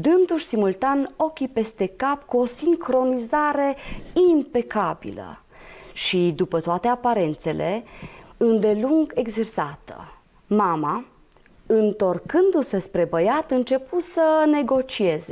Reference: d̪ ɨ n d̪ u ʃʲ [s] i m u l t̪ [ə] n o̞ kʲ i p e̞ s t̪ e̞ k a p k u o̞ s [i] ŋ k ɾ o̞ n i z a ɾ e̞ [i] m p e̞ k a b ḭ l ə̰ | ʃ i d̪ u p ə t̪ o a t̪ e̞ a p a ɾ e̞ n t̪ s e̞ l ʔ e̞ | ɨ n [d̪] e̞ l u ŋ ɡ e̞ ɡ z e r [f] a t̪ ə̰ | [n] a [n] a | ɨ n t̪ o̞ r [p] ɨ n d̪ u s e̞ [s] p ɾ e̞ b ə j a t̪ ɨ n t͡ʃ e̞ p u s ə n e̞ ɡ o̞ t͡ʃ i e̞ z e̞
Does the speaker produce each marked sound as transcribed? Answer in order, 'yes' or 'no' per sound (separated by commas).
yes, no, yes, yes, yes, no, no, no, no, yes